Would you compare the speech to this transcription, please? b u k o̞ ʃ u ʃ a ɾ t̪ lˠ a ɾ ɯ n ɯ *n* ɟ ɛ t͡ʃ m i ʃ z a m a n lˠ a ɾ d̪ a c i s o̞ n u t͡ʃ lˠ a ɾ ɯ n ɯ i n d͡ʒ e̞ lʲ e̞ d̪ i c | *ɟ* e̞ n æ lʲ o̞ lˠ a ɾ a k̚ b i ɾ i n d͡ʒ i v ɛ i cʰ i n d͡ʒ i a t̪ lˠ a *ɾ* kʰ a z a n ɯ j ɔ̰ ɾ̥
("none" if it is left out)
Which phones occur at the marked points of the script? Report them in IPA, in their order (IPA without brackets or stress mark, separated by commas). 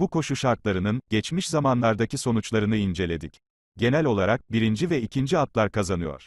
n, ɟ, ɾ